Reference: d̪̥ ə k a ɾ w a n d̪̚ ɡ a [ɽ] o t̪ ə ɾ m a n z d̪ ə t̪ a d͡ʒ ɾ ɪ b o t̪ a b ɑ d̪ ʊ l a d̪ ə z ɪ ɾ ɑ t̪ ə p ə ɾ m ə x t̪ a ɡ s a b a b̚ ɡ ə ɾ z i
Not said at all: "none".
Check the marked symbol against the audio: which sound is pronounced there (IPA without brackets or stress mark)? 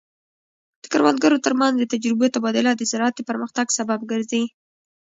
ɾ